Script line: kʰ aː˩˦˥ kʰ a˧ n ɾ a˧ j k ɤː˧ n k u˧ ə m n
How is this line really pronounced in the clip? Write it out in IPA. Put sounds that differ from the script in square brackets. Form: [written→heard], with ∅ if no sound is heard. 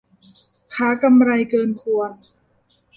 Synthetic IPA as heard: kʰ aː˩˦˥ [kʰ→k] a˧ [n→m] ɾ a˧ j k ɤː˧ n [k→kʰ] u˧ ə [m→∅] n